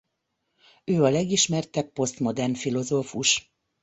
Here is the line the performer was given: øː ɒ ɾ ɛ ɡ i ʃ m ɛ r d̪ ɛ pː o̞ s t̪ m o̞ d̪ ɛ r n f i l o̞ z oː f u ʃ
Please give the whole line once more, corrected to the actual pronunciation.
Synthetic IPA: øː ɒ l ɛ ɡ i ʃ m ɛ r t̪ ɛ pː o̞ s t̪ m o̞ d̪ ɛ r n f i l o̞ z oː f u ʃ